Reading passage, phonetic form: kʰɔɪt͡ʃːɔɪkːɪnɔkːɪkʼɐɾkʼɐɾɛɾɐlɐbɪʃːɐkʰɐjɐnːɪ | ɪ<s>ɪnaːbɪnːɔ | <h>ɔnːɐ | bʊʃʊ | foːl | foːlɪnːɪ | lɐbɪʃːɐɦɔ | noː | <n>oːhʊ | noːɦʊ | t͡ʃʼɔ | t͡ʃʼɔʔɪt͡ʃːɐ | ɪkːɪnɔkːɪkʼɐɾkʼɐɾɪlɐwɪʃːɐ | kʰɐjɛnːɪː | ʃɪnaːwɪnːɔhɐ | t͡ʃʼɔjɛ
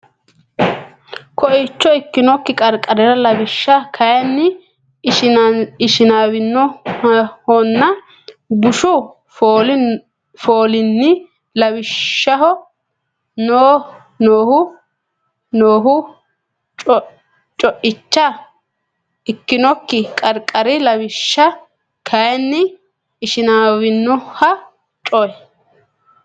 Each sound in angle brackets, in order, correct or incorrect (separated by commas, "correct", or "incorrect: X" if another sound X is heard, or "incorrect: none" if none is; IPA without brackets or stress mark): incorrect: ʃ, correct, correct